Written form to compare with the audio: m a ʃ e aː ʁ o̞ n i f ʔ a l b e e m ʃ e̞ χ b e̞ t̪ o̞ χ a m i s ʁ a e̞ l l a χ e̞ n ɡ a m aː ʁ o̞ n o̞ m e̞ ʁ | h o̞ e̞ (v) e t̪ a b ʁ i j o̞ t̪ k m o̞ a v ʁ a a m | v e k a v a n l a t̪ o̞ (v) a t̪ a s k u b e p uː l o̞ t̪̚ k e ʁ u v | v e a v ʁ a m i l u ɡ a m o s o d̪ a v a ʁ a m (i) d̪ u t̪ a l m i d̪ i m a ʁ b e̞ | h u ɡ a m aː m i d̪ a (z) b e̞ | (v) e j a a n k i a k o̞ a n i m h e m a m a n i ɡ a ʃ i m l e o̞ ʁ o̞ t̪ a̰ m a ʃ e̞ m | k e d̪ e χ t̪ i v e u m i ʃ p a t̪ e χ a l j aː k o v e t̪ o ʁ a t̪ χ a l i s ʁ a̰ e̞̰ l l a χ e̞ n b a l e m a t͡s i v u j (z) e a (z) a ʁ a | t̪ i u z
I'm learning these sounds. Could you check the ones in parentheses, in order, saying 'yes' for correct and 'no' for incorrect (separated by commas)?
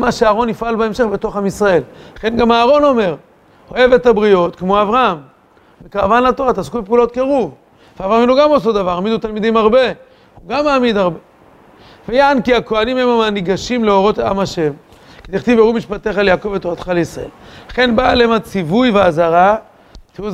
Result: yes, no, yes, no, yes, no, yes